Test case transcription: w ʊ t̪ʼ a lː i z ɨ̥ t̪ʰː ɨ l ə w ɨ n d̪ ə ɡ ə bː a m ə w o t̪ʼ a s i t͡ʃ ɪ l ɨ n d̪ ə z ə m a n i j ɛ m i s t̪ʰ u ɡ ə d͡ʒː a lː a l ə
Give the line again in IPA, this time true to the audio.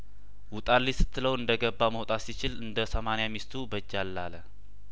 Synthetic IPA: w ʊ t̪ʼ a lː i s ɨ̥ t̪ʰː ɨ l ə w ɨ n d̪ ə ɡ ə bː a m ə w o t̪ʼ a s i t͡ʃ ɪ l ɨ n d̪ ə s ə m a n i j a m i s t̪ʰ u b ə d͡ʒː a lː a l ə